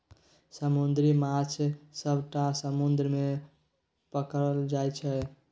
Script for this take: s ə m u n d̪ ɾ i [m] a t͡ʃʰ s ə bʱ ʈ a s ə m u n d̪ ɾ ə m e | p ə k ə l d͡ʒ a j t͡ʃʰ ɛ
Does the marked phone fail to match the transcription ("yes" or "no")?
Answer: no